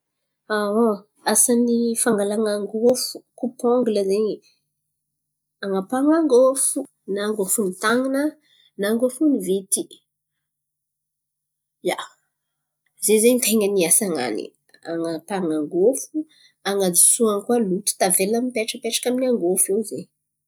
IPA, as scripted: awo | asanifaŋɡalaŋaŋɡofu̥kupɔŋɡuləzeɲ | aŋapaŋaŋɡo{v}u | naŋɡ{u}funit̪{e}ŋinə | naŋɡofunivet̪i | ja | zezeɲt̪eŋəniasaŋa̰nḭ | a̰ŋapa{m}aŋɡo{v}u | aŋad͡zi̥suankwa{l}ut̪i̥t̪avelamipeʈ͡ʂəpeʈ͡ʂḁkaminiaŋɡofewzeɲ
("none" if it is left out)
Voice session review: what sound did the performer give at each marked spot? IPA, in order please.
f, o, a, ŋ, f, l

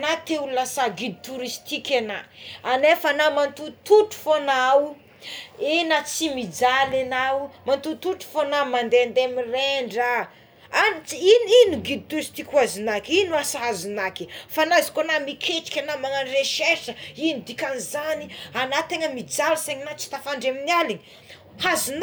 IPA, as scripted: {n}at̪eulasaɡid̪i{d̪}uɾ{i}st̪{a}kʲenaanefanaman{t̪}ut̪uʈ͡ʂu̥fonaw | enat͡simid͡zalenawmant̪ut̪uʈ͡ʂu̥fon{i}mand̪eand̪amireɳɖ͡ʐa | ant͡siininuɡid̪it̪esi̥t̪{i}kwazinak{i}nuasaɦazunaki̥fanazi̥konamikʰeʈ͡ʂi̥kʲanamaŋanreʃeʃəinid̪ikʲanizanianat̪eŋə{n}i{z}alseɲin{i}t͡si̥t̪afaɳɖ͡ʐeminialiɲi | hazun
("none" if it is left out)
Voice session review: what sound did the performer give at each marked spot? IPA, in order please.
n, t̪, i, i, t̪, a, i, i, m, d͡z, a

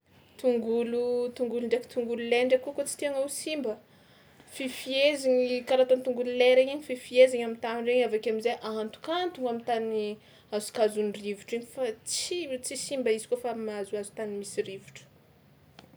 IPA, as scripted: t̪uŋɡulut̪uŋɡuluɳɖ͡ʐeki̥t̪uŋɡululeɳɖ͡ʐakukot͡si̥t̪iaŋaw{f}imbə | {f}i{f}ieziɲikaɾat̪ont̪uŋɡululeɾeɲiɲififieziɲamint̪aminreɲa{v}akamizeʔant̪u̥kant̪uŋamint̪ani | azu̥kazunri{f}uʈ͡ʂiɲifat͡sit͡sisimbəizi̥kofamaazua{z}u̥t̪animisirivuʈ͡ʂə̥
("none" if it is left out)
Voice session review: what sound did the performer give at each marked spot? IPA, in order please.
s, f, f, v, v, z

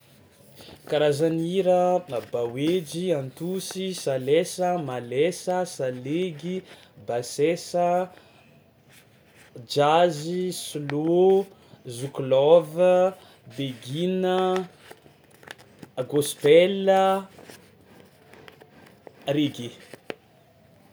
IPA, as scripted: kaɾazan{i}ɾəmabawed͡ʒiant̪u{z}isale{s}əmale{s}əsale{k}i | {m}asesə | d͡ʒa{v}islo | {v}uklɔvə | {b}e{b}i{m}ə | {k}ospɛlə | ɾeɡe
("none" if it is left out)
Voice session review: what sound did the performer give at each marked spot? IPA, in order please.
i, s, s, s, ɡ, b, z, z, b, ɡ, n, ɡ

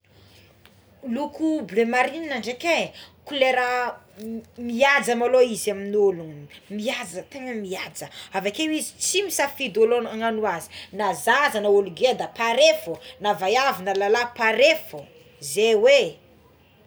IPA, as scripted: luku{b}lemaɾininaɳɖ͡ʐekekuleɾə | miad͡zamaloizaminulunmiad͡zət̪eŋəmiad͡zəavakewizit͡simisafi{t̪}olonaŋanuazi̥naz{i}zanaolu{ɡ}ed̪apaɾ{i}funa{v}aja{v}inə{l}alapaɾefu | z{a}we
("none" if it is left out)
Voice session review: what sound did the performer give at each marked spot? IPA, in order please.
b, d̪, a, ɡ, e, v, v, l, e

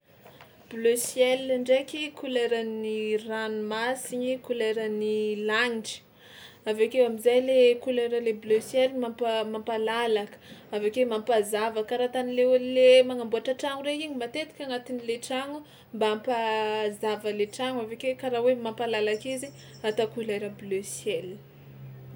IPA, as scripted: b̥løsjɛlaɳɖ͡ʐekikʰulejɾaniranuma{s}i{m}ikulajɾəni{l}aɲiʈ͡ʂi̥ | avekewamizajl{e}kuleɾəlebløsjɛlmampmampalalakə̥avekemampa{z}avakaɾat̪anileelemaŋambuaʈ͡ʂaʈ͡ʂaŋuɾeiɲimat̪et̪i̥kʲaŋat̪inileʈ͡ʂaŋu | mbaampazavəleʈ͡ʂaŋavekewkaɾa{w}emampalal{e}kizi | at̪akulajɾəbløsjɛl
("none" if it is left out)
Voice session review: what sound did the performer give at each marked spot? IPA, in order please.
s, ɲ, l, e, z, w, a

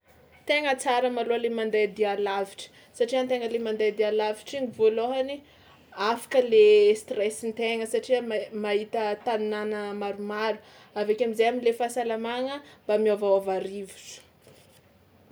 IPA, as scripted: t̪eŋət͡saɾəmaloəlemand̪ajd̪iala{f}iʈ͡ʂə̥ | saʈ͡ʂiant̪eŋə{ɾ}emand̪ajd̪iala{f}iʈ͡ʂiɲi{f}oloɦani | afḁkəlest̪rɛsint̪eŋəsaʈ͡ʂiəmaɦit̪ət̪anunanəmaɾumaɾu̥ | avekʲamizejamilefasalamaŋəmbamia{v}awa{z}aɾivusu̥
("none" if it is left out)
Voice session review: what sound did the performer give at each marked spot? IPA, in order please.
v, l, v, v, v, v

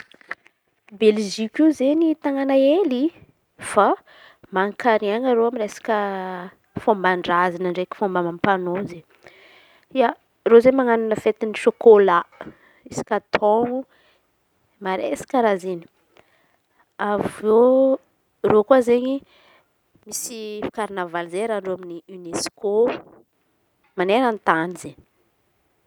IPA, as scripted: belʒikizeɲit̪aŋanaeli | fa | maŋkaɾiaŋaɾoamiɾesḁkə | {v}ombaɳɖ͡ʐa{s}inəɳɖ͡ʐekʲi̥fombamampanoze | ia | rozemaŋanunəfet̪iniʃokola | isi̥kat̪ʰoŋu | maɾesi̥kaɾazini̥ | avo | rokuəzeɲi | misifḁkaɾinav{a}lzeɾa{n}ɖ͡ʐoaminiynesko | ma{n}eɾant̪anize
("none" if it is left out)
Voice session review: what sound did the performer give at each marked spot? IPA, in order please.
f, z, a, ɳ, n

